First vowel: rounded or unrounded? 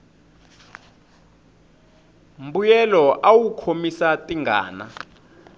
rounded